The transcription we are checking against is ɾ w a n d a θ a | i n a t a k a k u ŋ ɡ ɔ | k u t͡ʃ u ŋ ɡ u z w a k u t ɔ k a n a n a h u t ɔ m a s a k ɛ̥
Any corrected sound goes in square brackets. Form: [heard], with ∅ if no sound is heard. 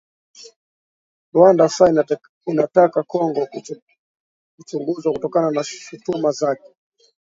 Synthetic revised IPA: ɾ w a n d a [s] a | i n a t a k a k [ɔ] ŋ ɡ ɔ | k u t͡ʃ u ŋ ɡ u z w a k u t ɔ k a n a n a [ʃ] u t [u] m a [z] a k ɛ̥

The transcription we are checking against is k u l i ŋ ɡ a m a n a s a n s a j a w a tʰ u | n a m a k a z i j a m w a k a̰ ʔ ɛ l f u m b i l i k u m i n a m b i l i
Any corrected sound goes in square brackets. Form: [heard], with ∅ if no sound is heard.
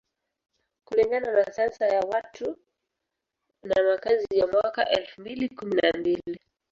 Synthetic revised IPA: k u l i ŋ ɡ a [n] a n a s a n s a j a w a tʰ u | n a m a k a z i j a m w a k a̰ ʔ ɛ l f u m b i l i k u m i n a m b i l i

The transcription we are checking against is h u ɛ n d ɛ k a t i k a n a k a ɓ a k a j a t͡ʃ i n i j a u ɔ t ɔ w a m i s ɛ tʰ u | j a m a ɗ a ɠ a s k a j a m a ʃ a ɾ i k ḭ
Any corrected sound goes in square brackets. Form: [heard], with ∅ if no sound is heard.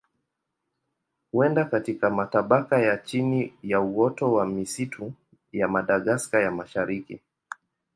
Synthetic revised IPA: h u ɛ n d [a] k a t i k a [m] a [t] a ɓ a k a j a t͡ʃ i n i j a u ɔ t ɔ w a m i s [i] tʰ u | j a m a ɗ a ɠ a s k a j a m a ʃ a ɾ i k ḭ

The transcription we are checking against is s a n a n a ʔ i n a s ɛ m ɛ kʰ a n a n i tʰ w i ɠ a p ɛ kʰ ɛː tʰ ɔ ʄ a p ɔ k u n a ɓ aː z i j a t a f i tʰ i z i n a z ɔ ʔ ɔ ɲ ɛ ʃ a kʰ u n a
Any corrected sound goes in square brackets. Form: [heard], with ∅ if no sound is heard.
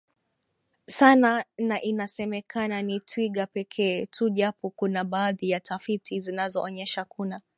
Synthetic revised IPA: s a n a n a ʔ i n a s ɛ m ɛ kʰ a n a n i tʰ w i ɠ a p ɛ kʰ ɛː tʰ [u] ʄ a p ɔ k u n a ɓ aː [ð] i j a t a f i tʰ i z i n a z ɔ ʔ ɔ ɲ ɛ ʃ a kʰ u n a

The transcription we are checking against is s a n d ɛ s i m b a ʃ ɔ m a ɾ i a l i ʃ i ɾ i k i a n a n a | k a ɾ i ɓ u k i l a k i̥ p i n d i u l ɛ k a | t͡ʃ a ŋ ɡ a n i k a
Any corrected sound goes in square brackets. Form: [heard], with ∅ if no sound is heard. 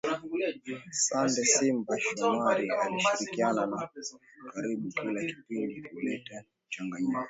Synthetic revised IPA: s a n d ɛ s i m b a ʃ ɔ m a ɾ i a l i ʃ i ɾ i k i a n a n a | k a ɾ i ɓ u k i l a k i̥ p i n d i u l ɛ [t] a | t͡ʃ a ŋ ɡ a [ɲ] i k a

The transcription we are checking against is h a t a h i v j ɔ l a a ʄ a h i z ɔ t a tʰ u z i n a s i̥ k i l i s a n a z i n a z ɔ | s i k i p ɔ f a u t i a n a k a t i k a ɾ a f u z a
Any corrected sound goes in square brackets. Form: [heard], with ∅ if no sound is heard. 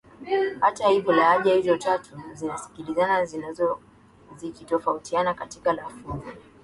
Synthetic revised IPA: h a t a h i v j ɔ l a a ʄ a h i z ɔ t a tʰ u z i n a s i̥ k i l i [z] a n a z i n a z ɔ | [z] i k i [t] ɔ f a u t i a n a k a t i k a [l] a f u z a

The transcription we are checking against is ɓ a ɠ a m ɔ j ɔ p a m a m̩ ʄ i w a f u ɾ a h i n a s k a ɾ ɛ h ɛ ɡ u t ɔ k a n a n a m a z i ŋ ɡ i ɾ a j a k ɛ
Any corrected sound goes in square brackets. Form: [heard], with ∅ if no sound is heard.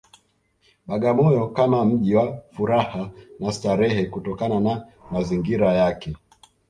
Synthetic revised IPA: ɓ a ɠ a m ɔ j ɔ [k] a m a m̩ ʄ i w a f u ɾ a h [a] n a s [t] a ɾ ɛ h ɛ [k] u t ɔ k a n a n a m a z i ŋ ɡ i ɾ a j a k ɛ

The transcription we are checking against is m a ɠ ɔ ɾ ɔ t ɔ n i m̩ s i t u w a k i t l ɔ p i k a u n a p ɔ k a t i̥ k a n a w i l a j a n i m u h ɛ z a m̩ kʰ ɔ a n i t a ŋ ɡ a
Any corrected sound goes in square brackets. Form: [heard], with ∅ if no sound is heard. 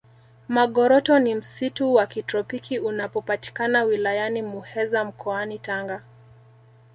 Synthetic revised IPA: m a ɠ ɔ ɾ ɔ t ɔ n i m̩ s i t u w a k i t [ɾ] ɔ p i k [i] u n a p ɔ [p] a t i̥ k a n a w i l a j a n i m u h ɛ z a m̩ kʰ ɔ a n i t a ŋ ɡ a

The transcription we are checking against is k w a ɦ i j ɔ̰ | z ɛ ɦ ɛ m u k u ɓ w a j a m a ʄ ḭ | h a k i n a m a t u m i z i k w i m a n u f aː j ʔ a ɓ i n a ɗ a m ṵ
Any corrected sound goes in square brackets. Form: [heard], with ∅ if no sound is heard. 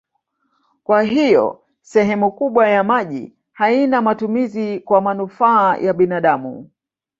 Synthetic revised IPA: k w a ɦ i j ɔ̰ | [s] ɛ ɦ ɛ m u k u ɓ w a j a m a ʄ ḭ | h a [∅] i n a m a t u m i z i k w [a] m a n u f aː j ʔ a ɓ i n a ɗ a m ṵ

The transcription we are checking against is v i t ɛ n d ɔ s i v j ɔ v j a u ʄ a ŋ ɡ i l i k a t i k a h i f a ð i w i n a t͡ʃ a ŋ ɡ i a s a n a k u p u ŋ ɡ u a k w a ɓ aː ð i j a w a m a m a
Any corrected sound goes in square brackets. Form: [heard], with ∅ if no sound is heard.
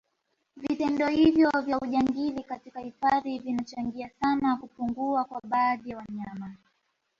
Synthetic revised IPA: v i t ɛ n d ɔ [h] i v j ɔ v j a u ʄ a ŋ ɡ i l i k a t i k a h i f a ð i [v] i n a t͡ʃ a ŋ ɡ i a s a n a k u p u ŋ ɡ u a k w a ɓ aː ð i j a w a [ɲ] a m a

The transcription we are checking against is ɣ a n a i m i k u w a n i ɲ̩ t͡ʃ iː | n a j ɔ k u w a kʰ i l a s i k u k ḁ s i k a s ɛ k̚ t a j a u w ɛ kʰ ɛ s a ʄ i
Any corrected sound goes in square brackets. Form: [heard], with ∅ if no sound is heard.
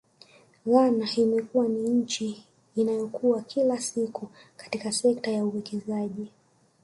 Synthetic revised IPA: ɣ a n a i m [ɛ] k u w a n i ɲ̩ t͡ʃ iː | n a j ɔ k u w a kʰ i l a s i k u k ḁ [t] i k a s ɛ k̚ t a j a u w ɛ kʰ ɛ [z] a ʄ i

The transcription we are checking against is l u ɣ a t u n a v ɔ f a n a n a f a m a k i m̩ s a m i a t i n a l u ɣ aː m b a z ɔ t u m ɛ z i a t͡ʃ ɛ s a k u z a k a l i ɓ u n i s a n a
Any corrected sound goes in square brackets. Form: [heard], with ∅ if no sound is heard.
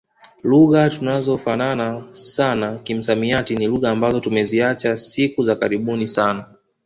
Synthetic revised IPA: l u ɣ a t u n a [z] ɔ f a n a n a [s] a [n] a k i m̩ s a m i a t i n [i] l u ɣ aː m b a z ɔ t u m ɛ z i a t͡ʃ [a] s [i] k u z a k a [ɾ] i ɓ u n i s a n a

